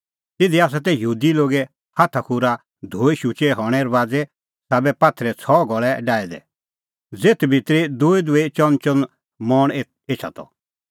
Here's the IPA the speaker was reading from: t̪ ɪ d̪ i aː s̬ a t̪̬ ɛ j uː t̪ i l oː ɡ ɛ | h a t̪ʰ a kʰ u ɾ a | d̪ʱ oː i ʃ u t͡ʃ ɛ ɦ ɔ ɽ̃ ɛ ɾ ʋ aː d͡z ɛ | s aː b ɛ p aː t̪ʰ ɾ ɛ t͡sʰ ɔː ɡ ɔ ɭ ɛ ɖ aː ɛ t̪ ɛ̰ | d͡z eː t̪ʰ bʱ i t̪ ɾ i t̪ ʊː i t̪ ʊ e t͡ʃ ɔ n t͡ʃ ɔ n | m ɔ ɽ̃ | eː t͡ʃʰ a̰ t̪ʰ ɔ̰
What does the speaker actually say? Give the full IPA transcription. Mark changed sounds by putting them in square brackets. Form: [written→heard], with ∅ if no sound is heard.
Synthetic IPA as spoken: t̪ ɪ d̪ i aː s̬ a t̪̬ ɛ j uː [t̪→d̪] i l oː ɡ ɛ | h a t̪ʰ a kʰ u ɾ a | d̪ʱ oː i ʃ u t͡ʃ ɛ ɦ ɔ ɽ̃ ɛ ɾ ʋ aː d͡z ɛ | s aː b ɛ p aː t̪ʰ ɾ ɛ t͡sʰ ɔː ɡ ɔ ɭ ɛ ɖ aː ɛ [t̪→d̪] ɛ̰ | d͡z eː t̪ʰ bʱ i t̪ ɾ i [t̪→d̪] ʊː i [t̪→d̪] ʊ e t͡ʃ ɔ n t͡ʃ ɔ n | m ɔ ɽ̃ | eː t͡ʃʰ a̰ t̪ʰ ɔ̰